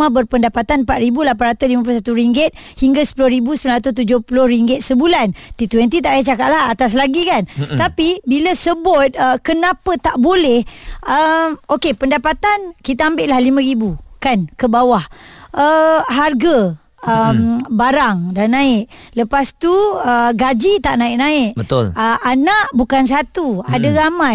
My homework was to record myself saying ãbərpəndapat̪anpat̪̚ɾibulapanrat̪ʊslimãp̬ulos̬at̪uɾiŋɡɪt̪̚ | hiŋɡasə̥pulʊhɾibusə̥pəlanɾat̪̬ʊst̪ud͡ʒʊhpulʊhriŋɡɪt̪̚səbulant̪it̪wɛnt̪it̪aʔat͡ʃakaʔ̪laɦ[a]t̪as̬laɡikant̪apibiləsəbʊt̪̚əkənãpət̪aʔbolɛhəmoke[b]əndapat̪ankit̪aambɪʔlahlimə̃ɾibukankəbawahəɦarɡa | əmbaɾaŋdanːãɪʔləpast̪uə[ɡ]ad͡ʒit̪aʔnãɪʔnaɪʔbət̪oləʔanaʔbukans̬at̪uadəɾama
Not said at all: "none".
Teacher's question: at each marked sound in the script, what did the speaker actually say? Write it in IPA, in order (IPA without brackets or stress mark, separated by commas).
a, p, ɡ